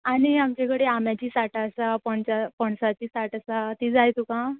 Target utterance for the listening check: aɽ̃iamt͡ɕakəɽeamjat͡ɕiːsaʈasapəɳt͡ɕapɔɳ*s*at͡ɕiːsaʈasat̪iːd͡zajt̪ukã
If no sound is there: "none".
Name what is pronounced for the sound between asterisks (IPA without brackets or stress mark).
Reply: s